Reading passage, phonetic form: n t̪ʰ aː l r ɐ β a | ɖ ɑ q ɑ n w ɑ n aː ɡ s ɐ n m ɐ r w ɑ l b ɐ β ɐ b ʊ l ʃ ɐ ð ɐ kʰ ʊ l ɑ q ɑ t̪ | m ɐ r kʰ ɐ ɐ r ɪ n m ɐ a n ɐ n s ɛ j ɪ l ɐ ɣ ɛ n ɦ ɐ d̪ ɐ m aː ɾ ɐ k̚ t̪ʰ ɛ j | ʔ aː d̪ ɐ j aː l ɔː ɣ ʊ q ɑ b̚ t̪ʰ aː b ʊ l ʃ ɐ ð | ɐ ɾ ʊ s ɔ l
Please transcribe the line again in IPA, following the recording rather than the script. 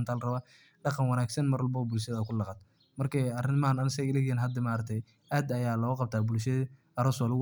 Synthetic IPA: n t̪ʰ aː l r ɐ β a | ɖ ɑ q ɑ n w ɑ n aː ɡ s ɐ n m ɐ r w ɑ l b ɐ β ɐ b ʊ l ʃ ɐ ð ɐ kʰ ʊ l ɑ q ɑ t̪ | m ɐ r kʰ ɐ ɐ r ɪ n m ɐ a n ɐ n s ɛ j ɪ l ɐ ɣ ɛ n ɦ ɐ d̪ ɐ m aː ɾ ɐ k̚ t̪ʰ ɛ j | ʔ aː d̪ ɐ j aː l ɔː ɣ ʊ q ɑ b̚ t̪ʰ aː b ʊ l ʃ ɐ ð | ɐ ɾ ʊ s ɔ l

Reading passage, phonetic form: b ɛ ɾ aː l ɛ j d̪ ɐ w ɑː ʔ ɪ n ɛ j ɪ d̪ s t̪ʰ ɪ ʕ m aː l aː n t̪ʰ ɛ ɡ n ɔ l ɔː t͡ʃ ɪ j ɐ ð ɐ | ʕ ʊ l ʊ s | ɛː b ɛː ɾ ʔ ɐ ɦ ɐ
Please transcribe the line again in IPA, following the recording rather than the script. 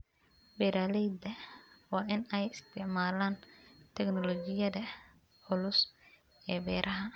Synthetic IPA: b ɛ ɾ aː l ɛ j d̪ ɐ w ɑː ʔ ɪ n ɛ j ɪ s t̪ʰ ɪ ʕ m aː l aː n t̪ʰ ɛ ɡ n ɔ l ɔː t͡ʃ ɪ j ɐ ð ɐ | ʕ ʊ l ʊ s | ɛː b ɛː ɾ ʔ ɐ ɦ ɐ

